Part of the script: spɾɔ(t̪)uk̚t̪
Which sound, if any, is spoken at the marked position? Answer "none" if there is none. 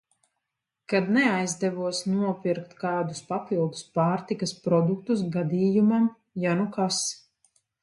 d̪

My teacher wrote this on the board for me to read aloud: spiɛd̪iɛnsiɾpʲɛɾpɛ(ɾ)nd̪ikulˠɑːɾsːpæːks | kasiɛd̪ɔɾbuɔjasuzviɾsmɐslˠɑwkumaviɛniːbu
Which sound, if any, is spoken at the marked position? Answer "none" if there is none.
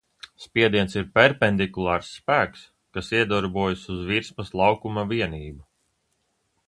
none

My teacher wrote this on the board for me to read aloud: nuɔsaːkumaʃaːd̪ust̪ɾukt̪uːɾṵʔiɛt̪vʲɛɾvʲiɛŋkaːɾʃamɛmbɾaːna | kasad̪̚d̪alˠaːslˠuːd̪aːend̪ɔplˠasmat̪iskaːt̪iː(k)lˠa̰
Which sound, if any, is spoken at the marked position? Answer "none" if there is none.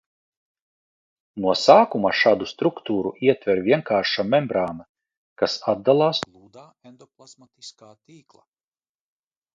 k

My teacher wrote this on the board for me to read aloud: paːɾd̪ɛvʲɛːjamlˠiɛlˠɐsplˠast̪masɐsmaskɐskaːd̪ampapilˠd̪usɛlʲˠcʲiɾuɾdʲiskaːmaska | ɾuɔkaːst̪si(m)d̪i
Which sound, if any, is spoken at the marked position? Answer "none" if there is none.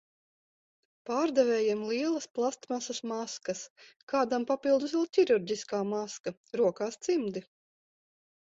m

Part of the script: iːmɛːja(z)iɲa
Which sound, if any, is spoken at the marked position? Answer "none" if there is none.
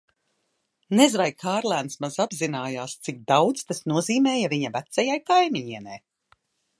v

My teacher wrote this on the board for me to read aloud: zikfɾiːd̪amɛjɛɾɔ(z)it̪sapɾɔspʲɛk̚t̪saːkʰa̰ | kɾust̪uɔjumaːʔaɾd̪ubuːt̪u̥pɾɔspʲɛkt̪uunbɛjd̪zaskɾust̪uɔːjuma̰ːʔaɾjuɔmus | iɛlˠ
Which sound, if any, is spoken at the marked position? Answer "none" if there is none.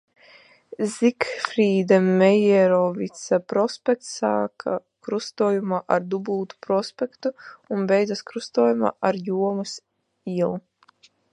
v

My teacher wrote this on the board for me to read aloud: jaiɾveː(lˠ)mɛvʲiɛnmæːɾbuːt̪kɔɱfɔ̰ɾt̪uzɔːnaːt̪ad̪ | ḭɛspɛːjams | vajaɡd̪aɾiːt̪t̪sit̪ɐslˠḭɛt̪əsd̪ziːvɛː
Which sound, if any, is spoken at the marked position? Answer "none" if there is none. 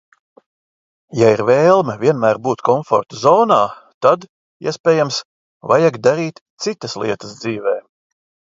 lˠ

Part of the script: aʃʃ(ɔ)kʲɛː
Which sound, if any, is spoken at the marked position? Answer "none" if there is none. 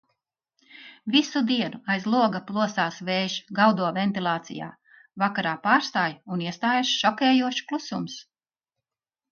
ɔ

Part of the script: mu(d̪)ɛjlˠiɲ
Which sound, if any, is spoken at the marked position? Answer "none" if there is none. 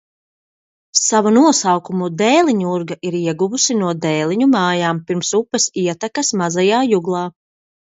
d̪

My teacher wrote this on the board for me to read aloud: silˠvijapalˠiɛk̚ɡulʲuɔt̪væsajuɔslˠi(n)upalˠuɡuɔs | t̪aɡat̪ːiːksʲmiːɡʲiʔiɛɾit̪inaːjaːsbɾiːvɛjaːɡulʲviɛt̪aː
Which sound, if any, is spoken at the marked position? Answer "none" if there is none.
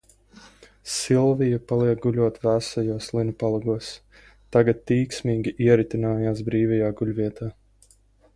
n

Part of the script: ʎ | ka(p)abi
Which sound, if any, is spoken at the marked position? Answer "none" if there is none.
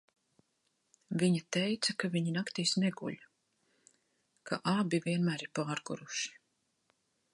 ʔ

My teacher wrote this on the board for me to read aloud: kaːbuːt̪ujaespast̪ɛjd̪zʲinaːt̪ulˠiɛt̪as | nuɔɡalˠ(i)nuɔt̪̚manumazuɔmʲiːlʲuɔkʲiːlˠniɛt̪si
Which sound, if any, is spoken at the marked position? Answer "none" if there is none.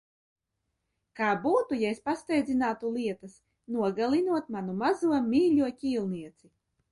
i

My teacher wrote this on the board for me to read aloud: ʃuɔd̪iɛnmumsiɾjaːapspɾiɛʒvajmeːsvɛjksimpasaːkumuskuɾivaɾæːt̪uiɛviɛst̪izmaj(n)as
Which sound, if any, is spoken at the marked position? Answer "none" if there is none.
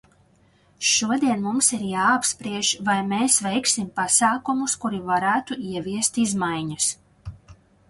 ɲ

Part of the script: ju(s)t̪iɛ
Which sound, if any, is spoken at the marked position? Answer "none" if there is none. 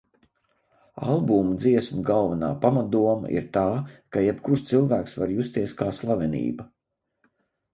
s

